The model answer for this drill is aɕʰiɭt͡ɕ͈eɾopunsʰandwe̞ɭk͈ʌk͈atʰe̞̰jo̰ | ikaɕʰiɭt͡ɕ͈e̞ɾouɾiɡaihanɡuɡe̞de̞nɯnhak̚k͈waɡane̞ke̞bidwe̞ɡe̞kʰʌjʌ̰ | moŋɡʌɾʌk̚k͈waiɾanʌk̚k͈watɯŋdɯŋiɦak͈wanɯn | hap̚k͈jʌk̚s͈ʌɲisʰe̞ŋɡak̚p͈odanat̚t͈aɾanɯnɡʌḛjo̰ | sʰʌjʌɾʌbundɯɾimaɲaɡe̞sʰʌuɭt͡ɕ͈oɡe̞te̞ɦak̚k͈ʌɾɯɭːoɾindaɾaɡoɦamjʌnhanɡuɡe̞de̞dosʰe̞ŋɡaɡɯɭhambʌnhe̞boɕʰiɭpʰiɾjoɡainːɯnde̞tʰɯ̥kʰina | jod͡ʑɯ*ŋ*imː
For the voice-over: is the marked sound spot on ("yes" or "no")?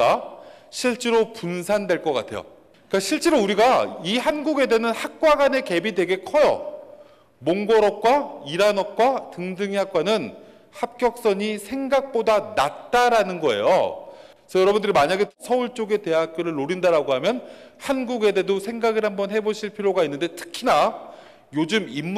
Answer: no